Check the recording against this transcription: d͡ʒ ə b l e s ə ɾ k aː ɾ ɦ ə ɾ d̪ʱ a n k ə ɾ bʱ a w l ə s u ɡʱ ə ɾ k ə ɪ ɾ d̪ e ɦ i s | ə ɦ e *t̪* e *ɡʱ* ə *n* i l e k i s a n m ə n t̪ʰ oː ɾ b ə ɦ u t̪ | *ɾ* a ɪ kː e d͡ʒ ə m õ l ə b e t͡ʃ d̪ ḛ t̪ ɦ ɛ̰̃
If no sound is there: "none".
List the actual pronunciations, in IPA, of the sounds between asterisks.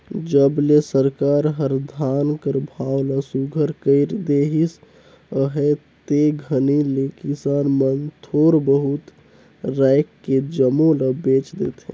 t̪, ɡʱ, n, ɾ

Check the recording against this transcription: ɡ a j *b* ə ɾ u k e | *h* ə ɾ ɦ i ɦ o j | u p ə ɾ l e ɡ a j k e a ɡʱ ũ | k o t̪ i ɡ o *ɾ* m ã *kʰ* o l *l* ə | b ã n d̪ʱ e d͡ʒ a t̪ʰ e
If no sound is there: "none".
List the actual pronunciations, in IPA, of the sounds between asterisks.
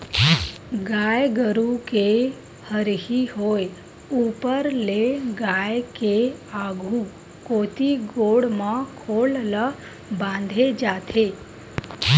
ɡ, h, ɽ, kʰ, l

